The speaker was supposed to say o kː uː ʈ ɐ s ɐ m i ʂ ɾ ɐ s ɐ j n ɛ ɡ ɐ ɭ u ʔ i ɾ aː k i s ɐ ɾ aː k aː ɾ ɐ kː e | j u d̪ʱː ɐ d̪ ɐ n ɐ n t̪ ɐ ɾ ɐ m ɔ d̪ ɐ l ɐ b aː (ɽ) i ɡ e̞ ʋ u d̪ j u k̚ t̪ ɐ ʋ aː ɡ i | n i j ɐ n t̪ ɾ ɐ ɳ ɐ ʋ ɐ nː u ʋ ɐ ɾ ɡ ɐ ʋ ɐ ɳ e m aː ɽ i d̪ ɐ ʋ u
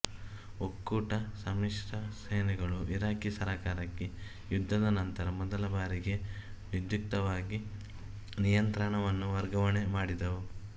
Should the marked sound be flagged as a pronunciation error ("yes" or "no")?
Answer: yes